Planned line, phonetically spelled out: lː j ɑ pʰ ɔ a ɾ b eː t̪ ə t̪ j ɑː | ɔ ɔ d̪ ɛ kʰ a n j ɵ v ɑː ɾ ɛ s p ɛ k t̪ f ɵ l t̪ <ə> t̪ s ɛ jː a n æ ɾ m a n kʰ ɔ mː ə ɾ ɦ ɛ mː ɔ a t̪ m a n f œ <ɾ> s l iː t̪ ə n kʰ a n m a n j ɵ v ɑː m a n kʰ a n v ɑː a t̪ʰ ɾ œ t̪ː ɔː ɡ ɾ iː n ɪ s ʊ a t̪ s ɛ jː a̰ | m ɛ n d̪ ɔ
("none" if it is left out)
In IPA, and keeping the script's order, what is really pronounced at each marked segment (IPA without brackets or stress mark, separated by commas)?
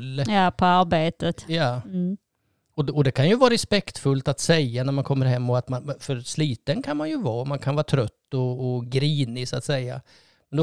a, ɾ